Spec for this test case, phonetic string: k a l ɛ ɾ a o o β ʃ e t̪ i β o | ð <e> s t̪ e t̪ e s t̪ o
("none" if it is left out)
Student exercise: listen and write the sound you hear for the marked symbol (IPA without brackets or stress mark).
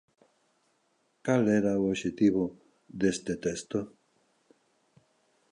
e